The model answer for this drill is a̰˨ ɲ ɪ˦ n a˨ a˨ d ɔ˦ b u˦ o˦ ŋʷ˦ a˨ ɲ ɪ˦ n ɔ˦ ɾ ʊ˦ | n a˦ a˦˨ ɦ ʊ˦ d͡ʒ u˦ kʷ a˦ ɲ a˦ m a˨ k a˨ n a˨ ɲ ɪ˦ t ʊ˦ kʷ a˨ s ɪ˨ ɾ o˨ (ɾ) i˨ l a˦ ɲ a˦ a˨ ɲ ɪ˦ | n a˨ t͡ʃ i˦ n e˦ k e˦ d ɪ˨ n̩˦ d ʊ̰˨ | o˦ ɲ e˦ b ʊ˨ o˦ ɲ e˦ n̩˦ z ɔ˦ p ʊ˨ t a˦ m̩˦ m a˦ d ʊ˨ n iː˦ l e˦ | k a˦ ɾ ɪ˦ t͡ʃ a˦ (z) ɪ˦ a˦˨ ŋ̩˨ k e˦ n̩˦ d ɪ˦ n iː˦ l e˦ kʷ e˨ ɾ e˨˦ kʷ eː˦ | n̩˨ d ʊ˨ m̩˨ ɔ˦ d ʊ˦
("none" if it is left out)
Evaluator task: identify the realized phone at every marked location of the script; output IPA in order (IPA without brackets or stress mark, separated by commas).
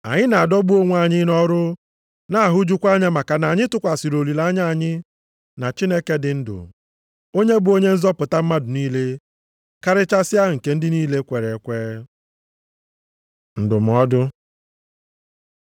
l, s